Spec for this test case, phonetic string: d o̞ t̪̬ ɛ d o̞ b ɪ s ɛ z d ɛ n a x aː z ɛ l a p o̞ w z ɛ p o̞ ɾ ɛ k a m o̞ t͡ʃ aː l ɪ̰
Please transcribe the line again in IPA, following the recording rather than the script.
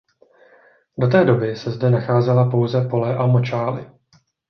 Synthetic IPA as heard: d o̞ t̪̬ ɛː d o̞ b ɪ s ɛ z d ɛ n a x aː z ɛ l a p o̞ w z ɛ p o̞ l ɛ ʔ a m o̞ t͡ʃ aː l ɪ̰

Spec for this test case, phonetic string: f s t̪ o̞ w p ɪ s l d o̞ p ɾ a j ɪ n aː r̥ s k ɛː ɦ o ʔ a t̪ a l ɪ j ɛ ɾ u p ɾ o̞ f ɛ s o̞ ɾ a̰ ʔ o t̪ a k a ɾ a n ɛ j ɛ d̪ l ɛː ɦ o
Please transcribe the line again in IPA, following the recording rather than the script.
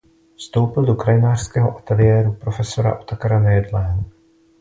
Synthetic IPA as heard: f s t̪ o̞ w p ɪ l d o̞ k ɾ a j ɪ n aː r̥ s k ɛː ɦ o ʔ a t̪ ɛ l ɪ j ɛː ɾ u p ɾ o̞ f ɛ s o̞ ɾ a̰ ʔ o t̪ a k a ɾ a n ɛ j ɛ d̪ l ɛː ɦ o

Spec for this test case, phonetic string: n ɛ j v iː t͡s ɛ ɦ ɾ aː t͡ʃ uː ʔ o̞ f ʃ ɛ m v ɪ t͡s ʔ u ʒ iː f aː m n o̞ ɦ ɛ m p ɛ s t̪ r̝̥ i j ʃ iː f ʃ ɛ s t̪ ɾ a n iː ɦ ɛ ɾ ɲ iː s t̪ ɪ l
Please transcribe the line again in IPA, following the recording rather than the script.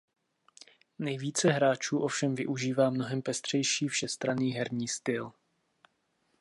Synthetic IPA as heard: n ɛ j v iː t͡s ɛ ɦ ɾ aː t͡ʃ uː ʔ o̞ f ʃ ɛ m v ɪ ʔ u ʒ iː v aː m n o̞ ɦ ɛ m p ɛ s t̪ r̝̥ ɛ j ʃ iː f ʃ ɛ s t̪ ɾ a n iː ɦ ɛ ɾ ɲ iː s t̪ ɪ l

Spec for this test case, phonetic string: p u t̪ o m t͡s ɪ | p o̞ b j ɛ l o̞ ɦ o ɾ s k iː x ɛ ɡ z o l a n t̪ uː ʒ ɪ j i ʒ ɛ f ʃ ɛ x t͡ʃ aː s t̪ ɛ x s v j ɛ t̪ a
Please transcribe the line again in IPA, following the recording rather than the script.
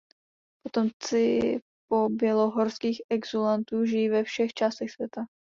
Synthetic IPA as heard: p o t̪ o m t͡s ɪ | p o̞ b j ɛ l o̞ ɦ o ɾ s k iː x ɛ ɡ z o l a n t̪ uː ʒ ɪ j i v ɛ f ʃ ɛ x t͡ʃ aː s t̪ ɛ x s v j ɛ t̪ a

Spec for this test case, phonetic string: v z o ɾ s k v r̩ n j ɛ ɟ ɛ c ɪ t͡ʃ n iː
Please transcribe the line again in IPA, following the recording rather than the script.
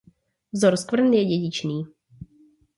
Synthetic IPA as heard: v z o ɾ s k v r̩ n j ɛ ɟ ɛ ɟ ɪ t͡ʃ n iː

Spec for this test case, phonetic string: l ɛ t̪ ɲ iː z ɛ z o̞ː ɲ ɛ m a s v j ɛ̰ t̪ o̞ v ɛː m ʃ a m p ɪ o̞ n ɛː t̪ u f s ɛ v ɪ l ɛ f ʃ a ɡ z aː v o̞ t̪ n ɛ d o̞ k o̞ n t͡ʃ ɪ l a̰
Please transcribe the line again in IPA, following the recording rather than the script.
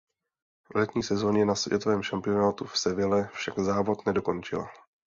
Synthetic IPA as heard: l ɛ t̪ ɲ iː s ɛ z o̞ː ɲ ɛ n a s v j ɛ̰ t̪ o̞ v ɛː m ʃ a m p ɪ o̞ n aː t̪ u f s ɛ v ɪ l ɛ f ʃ a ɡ z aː v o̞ t̪ n ɛ d o̞ k o̞ n t͡ʃ ɪ l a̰

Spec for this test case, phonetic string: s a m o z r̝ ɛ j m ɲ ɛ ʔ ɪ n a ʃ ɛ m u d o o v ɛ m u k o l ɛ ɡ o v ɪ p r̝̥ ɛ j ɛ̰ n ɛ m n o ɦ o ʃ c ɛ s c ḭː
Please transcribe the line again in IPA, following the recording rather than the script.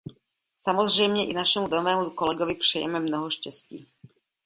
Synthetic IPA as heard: s a m o z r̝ ɛ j m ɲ ɛ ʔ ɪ n a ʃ ɛ m u d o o v ɛː m u k o l ɛ ɡ o v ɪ p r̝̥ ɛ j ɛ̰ m ɛ m n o ɦ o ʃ c ɛ s c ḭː

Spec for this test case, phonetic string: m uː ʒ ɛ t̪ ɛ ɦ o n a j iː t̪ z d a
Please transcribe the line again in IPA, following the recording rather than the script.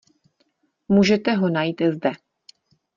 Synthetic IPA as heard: m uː ʒ ɛ t̪ ɛ ɦ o n a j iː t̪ z d ɛ

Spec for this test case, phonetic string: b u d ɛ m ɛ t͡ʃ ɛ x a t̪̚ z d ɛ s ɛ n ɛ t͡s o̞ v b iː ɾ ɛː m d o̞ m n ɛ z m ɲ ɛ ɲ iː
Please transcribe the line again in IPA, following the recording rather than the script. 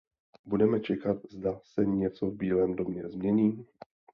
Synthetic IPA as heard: b u d ɛ m ɛ t͡ʃ ɛ k a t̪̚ z d a s ɛ ɲ ɛ t͡s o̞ v b iː l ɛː m d o̞ m ɲ ɛ z m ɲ ɛ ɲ iː

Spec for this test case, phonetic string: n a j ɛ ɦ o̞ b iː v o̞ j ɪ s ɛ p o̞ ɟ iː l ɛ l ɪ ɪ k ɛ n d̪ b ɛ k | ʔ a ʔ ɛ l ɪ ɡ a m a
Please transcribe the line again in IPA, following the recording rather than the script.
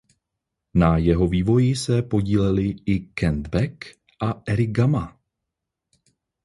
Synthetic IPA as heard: n a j ɛ ɦ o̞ v iː v o̞ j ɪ s ɛ p o̞ ɟ iː l ɛ l ɪ ɪ k ɛ n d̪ b ɛ k | ʔ a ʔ ɛ ɾ ɪ ɡ a m a

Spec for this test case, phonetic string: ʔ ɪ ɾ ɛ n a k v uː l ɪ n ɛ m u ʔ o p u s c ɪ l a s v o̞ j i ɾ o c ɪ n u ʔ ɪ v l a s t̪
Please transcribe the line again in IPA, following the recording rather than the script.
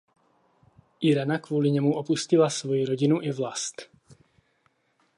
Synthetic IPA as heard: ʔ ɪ ɾ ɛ n a k v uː l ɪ ɲ ɛ m u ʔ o p u s c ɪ l a s v o̞ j i ɾ o ɟ ɪ n u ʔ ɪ v l a s t̪

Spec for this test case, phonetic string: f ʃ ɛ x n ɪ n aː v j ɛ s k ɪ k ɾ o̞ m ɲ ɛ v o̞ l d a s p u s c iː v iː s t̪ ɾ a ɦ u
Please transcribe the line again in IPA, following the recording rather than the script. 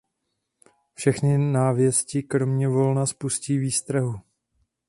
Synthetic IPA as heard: f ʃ ɛ x n ɪ n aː v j ɛ s c ɪ k ɾ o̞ m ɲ ɛ v o̞ l n a s p u s c iː v iː s t̪ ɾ a ɦ u

